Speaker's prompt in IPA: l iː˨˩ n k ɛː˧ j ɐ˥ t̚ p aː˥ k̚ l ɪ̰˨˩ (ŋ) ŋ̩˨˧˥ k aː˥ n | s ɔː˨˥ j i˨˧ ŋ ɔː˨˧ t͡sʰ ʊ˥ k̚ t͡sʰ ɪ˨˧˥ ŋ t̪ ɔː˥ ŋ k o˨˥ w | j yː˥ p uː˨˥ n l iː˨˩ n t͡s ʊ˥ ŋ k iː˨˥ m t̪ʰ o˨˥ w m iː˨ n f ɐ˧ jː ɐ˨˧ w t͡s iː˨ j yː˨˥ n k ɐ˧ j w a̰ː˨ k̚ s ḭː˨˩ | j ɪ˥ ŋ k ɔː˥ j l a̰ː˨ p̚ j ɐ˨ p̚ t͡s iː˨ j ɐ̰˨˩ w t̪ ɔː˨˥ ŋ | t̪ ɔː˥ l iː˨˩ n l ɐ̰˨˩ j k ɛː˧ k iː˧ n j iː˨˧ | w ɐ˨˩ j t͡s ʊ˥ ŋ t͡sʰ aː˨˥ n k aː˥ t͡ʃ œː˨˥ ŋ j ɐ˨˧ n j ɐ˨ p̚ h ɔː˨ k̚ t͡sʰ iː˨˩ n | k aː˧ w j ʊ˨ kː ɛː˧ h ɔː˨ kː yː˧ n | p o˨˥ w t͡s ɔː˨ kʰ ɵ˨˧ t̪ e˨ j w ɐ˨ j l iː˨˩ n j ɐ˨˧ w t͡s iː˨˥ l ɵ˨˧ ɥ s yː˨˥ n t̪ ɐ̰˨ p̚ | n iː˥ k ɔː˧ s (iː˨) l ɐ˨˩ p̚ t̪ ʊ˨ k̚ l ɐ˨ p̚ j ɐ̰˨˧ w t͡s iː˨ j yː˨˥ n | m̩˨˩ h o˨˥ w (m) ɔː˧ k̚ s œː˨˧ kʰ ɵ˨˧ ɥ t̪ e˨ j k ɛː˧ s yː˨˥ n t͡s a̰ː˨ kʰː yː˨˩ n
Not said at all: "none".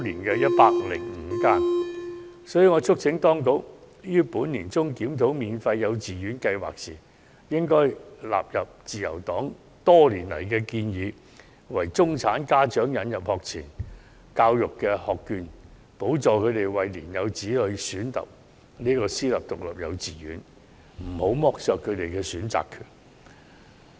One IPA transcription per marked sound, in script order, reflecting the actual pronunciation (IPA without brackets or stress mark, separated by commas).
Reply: ŋ, iː˥, m